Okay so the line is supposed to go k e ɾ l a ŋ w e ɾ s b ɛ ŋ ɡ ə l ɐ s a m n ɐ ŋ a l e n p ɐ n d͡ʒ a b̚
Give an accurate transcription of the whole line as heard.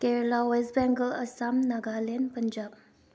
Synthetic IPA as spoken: k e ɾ l a w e s b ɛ ŋ ɡ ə l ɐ s a m n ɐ ɡ a l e n p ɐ n d͡ʒ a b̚